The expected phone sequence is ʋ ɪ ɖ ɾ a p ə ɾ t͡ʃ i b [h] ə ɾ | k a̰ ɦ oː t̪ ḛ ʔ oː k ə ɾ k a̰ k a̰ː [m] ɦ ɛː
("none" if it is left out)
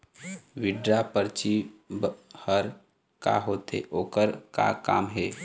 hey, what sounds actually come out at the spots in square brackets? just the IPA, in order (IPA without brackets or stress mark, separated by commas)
h, m